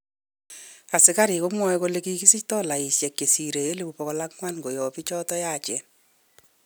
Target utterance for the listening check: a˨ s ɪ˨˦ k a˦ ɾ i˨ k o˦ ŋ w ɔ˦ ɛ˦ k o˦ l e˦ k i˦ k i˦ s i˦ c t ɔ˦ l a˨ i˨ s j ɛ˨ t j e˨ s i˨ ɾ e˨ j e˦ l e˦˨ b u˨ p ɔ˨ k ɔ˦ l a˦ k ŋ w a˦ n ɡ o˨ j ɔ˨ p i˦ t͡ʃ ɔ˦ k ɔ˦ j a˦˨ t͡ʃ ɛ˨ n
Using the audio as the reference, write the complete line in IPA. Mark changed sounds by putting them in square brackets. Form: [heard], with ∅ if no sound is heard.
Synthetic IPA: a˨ s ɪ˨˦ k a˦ ɾ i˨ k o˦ [m] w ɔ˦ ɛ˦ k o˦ l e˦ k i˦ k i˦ s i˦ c t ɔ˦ l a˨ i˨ s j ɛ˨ [k] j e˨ s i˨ ɾ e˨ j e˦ l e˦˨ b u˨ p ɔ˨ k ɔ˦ l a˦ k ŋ w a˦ n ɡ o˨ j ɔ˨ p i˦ t͡ʃ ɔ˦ [t] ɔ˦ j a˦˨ t͡ʃ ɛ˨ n